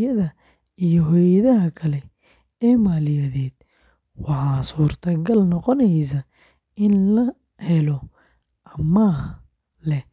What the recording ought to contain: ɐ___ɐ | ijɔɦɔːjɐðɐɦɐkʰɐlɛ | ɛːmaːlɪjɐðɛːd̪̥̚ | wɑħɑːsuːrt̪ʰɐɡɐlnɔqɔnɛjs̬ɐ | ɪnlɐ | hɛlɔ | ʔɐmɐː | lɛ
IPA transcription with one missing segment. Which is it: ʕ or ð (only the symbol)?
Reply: ð